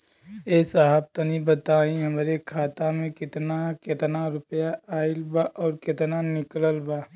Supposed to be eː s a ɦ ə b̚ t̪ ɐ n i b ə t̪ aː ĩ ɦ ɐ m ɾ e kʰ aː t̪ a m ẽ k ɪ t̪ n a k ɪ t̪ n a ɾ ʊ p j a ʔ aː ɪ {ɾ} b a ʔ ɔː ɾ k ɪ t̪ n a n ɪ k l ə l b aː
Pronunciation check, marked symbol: incorrect: l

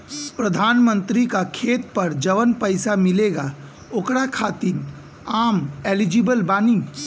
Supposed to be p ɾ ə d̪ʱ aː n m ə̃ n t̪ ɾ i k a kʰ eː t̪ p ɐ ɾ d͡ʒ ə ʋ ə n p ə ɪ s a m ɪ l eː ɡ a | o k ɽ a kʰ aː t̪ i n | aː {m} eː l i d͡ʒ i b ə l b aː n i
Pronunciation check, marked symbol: correct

